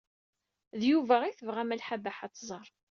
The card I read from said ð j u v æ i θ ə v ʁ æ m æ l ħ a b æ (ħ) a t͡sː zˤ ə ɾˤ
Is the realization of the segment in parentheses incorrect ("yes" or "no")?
no